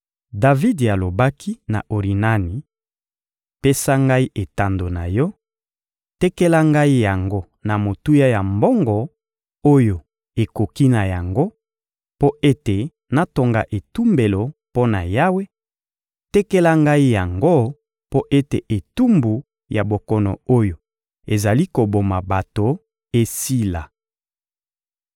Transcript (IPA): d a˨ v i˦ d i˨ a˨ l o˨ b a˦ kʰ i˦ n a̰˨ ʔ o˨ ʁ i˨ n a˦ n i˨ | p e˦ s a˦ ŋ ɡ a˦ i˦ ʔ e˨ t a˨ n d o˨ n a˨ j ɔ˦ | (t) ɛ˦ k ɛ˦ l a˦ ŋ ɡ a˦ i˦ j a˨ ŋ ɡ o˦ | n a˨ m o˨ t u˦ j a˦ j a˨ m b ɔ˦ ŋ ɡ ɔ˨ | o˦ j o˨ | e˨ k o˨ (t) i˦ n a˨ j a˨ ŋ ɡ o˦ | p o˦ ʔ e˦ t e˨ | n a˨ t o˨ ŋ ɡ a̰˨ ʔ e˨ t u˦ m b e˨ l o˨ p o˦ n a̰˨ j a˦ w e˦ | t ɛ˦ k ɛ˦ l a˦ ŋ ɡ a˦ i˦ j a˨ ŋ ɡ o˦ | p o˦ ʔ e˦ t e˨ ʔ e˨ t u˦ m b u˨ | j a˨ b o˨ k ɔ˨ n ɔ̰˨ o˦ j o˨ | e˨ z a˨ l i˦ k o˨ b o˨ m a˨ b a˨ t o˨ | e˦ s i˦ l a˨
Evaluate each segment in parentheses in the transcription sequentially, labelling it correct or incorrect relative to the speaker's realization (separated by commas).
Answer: correct, incorrect